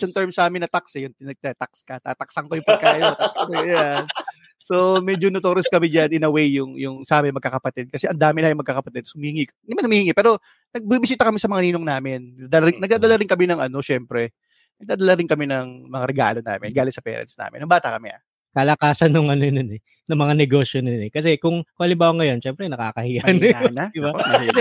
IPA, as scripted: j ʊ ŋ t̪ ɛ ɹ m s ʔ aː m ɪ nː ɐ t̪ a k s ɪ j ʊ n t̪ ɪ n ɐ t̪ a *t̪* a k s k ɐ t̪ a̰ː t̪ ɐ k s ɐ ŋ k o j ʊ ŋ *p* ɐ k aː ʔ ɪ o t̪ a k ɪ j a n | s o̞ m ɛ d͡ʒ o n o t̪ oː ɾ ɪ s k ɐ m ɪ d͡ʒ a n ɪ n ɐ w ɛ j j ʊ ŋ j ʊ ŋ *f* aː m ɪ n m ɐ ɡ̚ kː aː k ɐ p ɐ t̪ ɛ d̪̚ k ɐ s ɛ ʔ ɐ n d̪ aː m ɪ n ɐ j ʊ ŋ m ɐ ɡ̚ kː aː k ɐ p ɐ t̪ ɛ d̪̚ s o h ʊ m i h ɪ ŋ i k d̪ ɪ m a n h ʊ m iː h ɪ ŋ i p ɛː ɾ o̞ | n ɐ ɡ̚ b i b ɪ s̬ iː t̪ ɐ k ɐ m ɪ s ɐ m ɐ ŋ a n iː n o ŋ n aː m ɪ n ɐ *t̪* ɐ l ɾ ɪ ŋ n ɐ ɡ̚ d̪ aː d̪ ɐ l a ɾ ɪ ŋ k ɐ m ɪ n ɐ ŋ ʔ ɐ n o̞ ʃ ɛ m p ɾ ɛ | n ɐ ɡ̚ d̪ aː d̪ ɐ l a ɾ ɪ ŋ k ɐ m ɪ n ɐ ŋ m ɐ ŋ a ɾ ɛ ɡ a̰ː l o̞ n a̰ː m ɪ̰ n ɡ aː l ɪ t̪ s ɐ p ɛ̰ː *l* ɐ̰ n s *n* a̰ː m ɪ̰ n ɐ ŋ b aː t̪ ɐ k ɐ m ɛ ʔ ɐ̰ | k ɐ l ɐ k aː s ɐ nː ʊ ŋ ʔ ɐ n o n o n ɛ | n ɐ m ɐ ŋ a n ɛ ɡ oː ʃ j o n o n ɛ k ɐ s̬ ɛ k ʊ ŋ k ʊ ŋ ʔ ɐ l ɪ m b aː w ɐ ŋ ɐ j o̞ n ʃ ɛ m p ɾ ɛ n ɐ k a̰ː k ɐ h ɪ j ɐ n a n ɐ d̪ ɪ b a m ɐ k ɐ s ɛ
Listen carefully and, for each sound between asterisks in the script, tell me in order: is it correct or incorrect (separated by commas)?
correct, correct, incorrect, incorrect, incorrect, correct